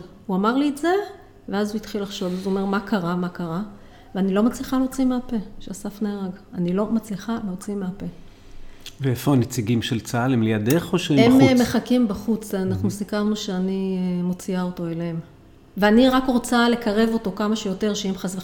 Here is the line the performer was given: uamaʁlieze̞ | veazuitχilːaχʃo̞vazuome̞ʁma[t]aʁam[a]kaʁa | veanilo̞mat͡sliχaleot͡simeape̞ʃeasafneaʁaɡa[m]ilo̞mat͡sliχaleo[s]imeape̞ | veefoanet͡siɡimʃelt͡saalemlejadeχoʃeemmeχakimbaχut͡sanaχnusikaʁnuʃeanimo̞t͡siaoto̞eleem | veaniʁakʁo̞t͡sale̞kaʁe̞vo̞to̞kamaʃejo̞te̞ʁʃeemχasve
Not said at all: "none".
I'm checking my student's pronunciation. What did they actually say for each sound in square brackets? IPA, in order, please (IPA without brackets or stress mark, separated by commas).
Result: k, a, n, t͡s